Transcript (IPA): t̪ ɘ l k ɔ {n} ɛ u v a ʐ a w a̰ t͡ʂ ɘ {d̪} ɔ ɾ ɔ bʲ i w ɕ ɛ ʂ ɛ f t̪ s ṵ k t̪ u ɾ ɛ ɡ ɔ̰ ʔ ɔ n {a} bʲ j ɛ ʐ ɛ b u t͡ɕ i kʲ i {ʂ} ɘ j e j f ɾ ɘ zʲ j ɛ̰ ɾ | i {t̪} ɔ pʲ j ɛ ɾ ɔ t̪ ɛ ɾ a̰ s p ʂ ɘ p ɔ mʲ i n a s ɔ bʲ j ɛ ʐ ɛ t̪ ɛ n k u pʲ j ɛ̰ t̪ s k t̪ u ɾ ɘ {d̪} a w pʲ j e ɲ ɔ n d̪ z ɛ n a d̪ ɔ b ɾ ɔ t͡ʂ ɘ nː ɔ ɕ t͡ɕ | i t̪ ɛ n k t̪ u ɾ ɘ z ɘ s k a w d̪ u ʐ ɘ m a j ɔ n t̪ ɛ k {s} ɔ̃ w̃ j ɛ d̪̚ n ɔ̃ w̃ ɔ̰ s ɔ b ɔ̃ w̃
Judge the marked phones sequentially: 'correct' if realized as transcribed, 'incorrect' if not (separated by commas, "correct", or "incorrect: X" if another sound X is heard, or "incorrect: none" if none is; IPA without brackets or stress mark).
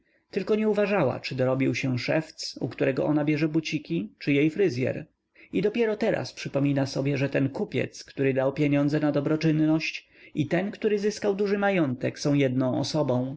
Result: incorrect: ɲ, correct, correct, incorrect: t͡ʂ, incorrect: d̪, correct, correct